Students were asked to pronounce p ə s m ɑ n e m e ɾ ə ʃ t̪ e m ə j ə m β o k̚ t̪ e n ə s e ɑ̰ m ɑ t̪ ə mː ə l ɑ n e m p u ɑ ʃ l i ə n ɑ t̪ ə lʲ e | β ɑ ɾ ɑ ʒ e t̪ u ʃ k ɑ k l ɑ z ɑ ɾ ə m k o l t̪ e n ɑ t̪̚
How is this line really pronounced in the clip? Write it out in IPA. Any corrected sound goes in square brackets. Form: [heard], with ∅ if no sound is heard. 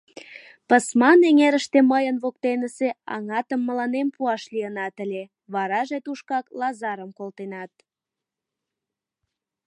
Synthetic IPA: p ə s m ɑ n e [ŋ] e ɾ ə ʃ t̪ e m ə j ə [n] β o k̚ t̪ e n ə s e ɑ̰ [ŋ] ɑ t̪ ə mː ə l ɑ n e m p u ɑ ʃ l i ə n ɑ t̪ ə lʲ e | β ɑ ɾ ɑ ʒ e t̪ u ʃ k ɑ k l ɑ z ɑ ɾ ə m k o l t̪ e n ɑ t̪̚